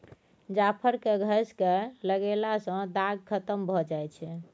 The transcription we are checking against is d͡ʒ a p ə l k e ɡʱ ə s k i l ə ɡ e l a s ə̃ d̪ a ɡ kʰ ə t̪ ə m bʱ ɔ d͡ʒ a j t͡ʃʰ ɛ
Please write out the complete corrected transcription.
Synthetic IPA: d͡ʒ a pʰ ə ɾ k e ɡʱ ə s k e l ə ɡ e l a s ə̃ d̪ a ɡ kʰ ə t̪ ə m bʱ ɔ d͡ʒ a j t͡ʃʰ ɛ